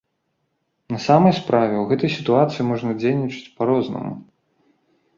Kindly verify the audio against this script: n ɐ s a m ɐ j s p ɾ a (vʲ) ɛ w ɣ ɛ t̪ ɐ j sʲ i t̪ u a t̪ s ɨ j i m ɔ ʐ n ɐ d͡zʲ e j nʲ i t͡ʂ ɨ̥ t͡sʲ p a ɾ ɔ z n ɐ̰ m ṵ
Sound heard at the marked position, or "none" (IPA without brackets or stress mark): vʲ